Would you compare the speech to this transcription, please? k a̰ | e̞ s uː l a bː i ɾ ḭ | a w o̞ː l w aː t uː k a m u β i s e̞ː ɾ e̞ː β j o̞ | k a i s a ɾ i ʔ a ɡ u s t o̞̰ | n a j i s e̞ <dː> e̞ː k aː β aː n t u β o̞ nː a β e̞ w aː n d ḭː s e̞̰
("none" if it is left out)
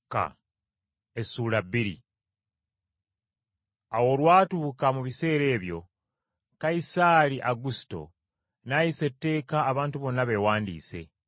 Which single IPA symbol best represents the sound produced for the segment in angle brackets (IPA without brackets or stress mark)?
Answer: tː